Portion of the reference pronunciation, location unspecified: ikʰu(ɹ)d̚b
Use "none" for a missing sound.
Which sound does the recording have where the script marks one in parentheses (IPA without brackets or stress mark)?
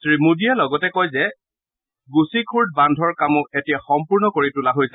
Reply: ɹ